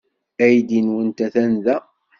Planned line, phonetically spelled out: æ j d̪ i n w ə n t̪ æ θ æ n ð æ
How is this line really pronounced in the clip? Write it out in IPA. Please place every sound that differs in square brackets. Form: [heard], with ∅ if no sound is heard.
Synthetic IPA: æ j d̪ i n w ə n t̪ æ θ æ n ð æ